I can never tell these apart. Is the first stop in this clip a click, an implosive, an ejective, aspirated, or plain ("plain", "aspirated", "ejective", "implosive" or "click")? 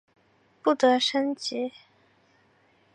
plain